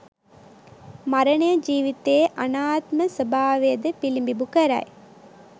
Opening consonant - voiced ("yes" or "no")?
yes